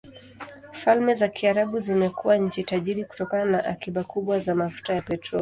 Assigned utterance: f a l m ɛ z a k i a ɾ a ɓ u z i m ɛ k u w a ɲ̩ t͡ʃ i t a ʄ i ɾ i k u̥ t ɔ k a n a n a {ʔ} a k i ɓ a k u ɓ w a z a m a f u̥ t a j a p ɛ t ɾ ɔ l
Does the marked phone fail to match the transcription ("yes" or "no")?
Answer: no